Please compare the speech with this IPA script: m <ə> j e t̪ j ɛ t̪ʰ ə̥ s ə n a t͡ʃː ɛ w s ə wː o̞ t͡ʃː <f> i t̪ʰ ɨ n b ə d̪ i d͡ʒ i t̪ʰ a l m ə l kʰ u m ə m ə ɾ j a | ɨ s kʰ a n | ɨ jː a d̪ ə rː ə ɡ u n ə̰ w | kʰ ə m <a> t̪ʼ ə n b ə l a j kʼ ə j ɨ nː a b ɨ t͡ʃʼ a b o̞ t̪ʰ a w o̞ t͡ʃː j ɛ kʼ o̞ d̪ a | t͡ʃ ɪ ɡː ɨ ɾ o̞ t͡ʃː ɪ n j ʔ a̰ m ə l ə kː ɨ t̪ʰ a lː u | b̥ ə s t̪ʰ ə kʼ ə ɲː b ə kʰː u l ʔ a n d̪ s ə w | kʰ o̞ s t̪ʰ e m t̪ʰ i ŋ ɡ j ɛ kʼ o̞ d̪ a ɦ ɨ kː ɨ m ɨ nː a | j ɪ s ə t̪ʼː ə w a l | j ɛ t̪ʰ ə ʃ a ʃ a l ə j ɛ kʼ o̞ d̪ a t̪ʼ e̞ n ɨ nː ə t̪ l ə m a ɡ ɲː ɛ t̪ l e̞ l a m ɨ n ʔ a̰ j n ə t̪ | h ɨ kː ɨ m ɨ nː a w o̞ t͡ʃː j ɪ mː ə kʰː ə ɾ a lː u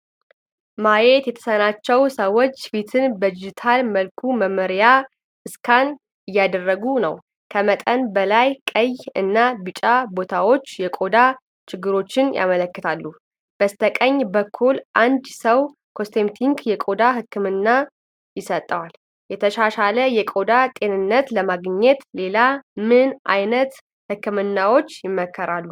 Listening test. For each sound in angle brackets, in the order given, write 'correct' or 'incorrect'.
incorrect: a, correct, incorrect: ə

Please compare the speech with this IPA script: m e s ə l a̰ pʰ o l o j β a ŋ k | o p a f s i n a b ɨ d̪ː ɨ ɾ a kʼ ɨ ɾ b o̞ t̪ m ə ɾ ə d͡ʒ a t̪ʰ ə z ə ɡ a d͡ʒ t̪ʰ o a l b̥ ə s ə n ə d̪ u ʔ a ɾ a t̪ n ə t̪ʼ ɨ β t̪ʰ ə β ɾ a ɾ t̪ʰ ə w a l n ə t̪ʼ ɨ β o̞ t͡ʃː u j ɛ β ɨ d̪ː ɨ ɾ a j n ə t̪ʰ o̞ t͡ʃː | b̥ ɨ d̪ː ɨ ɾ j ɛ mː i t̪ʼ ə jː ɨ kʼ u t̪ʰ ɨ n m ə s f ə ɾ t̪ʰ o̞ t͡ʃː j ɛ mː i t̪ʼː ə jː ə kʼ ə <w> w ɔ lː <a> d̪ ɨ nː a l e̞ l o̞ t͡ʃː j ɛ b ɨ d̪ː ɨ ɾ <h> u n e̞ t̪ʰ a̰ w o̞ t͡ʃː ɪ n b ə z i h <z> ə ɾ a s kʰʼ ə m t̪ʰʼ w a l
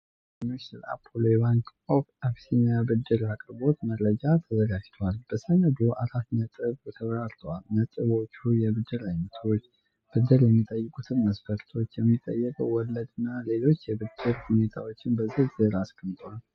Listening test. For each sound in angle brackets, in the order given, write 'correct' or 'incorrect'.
correct, incorrect: ə, correct, correct

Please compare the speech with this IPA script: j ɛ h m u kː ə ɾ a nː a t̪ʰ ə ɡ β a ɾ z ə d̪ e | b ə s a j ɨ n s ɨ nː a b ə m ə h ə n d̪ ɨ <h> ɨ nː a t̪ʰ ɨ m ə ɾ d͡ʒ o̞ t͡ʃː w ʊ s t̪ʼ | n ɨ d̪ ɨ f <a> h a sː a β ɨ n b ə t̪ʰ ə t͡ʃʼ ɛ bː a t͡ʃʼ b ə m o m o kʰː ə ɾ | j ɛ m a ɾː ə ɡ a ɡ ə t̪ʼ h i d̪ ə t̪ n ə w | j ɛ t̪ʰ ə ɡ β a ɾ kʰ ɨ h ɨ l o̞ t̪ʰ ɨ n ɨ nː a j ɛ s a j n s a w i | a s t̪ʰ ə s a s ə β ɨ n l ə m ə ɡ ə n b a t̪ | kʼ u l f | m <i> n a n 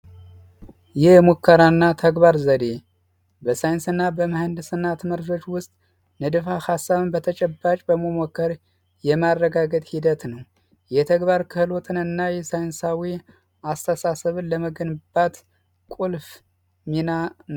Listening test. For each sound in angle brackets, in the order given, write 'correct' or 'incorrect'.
incorrect: s, correct, correct

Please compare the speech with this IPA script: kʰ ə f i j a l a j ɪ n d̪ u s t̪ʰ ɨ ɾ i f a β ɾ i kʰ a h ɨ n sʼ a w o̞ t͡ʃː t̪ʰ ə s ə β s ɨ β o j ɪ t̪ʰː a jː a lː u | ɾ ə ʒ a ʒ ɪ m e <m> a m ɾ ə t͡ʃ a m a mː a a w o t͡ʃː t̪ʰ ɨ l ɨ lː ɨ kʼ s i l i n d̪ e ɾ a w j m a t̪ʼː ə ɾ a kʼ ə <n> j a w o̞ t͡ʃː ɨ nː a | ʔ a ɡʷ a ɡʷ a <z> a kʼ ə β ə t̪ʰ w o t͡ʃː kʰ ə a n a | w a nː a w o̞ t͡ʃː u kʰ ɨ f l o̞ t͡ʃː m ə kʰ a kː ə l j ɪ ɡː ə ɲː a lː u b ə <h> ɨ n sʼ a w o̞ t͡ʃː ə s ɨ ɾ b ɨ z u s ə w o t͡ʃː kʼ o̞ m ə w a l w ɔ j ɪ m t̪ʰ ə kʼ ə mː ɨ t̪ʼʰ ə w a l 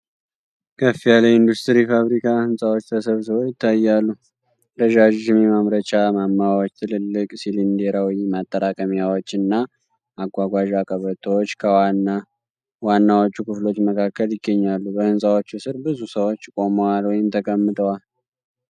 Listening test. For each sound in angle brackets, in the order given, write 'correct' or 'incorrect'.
correct, incorrect: m, incorrect: ʒ, correct

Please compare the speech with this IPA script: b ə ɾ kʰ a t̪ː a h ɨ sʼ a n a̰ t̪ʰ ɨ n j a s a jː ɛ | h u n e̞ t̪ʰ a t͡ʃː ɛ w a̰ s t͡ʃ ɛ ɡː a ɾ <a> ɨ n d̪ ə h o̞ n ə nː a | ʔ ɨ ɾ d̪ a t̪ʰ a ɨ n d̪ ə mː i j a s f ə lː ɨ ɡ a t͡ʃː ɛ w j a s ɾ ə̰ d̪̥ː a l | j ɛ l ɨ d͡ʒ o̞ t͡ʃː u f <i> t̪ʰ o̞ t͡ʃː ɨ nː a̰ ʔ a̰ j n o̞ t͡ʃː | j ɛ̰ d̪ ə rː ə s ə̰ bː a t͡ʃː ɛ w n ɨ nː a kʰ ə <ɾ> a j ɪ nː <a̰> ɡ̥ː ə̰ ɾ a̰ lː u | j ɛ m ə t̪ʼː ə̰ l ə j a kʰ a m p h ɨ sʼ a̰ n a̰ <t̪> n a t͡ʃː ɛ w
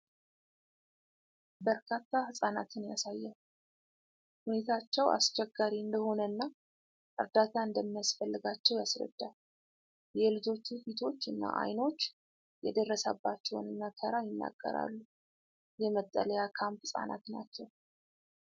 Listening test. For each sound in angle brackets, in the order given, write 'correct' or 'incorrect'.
incorrect: i, correct, correct, correct, correct

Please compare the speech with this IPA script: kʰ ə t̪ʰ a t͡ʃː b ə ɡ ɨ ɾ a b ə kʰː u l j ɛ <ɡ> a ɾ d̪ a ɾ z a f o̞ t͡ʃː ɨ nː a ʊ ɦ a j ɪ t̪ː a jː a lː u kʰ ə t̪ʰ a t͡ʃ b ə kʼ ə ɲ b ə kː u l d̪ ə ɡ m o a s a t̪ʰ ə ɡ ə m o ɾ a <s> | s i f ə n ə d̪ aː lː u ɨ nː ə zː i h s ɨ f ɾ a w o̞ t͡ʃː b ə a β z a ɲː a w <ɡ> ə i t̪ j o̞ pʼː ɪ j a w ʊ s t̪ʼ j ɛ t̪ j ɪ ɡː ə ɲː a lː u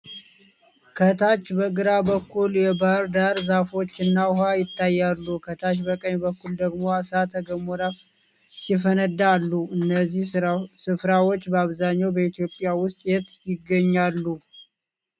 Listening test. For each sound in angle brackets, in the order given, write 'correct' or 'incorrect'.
incorrect: b, incorrect: f, incorrect: b

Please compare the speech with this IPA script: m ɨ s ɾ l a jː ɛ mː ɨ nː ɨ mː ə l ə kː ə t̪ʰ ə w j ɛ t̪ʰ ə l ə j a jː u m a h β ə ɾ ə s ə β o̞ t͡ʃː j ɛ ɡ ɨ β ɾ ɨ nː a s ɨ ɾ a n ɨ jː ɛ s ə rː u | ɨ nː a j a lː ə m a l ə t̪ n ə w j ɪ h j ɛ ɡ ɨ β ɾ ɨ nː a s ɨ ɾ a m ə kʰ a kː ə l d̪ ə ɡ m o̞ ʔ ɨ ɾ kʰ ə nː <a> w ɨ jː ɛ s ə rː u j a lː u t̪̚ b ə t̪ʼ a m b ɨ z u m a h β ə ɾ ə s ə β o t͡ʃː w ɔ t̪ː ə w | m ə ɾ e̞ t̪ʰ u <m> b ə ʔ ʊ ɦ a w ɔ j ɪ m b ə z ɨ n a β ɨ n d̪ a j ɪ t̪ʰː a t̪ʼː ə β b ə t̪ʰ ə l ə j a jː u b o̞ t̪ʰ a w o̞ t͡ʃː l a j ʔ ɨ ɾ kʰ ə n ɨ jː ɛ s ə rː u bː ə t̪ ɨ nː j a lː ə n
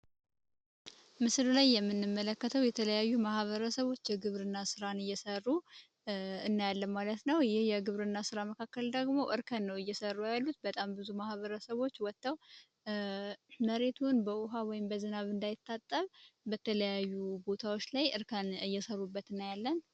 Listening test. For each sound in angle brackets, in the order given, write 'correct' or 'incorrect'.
incorrect: ə, incorrect: n

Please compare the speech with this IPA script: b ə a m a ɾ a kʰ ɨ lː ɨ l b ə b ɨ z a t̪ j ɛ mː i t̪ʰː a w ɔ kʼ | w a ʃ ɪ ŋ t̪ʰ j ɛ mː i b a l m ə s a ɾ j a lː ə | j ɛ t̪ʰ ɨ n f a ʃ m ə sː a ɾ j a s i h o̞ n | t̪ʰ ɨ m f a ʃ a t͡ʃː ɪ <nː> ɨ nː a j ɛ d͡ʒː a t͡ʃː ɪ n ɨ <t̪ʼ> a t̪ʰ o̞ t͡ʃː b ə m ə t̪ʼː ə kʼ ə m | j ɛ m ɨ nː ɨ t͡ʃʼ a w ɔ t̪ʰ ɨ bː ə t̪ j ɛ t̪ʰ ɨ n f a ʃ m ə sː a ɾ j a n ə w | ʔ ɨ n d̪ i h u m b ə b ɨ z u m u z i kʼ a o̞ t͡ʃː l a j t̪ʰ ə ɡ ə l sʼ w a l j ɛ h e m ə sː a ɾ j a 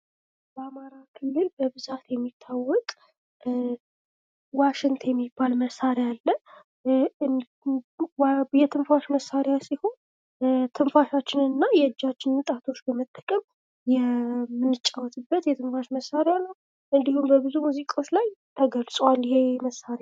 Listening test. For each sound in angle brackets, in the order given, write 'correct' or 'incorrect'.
incorrect: n, correct

